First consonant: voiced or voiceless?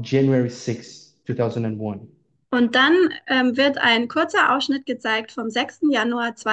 voiced